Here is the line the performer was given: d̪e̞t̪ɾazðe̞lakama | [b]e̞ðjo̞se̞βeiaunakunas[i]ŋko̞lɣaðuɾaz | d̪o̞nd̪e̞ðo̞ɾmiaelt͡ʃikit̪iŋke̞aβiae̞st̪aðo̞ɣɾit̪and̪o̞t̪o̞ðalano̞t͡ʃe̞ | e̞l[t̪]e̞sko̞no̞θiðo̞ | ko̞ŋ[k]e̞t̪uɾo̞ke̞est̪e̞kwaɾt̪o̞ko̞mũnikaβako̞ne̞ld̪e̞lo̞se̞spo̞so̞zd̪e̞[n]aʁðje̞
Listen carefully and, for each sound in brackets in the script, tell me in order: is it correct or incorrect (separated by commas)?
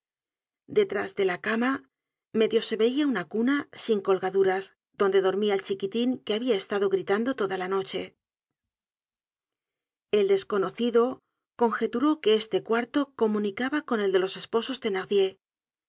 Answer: incorrect, correct, incorrect, incorrect, correct